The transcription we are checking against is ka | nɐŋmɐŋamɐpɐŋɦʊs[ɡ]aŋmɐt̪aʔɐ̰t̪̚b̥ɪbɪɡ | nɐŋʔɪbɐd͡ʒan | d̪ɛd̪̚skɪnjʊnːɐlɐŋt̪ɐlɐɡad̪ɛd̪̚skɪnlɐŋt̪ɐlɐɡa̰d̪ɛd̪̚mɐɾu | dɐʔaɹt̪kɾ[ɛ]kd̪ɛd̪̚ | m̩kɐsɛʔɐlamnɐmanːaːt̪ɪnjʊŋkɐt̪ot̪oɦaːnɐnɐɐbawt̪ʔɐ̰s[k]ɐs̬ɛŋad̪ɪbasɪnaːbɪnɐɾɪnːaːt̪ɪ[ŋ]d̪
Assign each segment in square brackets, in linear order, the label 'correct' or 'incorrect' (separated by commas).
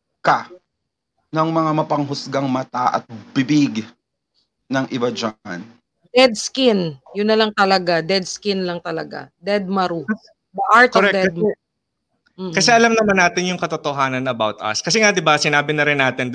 correct, correct, correct, incorrect